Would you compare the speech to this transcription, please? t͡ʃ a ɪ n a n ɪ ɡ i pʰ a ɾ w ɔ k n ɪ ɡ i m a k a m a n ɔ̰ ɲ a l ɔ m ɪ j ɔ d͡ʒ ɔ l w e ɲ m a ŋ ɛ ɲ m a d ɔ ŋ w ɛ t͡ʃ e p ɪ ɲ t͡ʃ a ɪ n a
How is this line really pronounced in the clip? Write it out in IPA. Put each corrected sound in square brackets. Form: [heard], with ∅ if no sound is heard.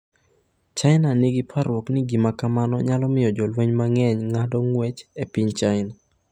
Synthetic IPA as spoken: t͡ʃ a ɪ n a n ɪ ɡ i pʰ a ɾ w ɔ k n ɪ ɡ i m a k a m a n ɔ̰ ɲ a l ɔ m ɪ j ɔ d͡ʒ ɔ l w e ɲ m a ŋ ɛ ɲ [ŋ] a d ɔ ŋ w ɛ t͡ʃ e p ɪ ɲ t͡ʃ a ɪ n a